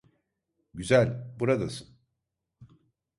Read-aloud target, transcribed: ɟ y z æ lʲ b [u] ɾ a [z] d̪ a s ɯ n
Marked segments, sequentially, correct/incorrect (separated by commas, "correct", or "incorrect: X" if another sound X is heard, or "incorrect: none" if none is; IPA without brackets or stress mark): correct, incorrect: none